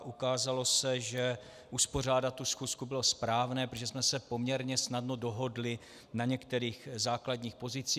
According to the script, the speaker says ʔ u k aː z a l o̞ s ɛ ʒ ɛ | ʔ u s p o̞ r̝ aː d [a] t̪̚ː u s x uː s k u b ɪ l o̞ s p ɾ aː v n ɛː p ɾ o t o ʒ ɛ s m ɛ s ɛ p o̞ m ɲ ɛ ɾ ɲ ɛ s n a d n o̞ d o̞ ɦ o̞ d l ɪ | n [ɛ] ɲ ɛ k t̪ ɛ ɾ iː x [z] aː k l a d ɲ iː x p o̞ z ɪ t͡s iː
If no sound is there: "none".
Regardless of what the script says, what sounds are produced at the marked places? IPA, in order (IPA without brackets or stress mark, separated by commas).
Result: a, a, z